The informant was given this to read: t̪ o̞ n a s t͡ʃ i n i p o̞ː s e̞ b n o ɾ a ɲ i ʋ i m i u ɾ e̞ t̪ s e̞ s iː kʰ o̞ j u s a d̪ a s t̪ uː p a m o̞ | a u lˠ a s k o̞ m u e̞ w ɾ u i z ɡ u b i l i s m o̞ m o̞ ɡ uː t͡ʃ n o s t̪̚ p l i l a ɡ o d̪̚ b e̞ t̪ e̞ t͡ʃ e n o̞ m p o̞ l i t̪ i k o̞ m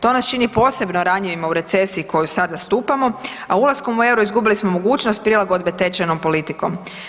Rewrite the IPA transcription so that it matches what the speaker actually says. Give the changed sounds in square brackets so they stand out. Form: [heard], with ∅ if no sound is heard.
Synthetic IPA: t̪ o̞ n a s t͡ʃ i n i p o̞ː s e̞ b n o ɾ a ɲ i ʋ i m [a] u ɾ e̞ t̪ s e̞ s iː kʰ o̞ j u s a d̪ a s t̪ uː p a m o̞ | a u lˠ a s k o̞ m u e̞ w ɾ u i z ɡ u b i l i s m o̞ m o̞ ɡ uː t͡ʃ n o s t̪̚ p [ɾ] i l a ɡ o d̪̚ b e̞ t̪ e̞ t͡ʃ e n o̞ m p o̞ l i t̪ i k o̞ m